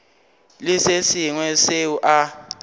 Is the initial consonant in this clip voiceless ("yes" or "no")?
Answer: no